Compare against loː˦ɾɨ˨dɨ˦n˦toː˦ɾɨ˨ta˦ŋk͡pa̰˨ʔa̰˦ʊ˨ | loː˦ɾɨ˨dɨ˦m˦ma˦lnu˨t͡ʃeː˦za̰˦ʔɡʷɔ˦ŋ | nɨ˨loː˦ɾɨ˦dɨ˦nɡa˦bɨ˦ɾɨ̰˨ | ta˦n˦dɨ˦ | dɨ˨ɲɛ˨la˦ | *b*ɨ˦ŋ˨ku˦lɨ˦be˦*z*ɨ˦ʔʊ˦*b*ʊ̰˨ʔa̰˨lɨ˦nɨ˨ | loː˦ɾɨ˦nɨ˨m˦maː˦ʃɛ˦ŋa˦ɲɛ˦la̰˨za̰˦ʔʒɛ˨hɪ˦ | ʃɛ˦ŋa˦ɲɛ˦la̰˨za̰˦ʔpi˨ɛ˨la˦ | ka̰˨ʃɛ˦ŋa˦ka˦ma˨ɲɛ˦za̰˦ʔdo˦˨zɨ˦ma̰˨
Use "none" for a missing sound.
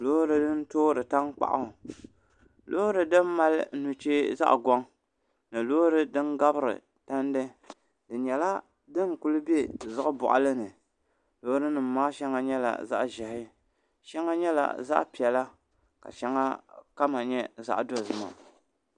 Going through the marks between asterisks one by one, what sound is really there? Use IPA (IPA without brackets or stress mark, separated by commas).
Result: d, z, b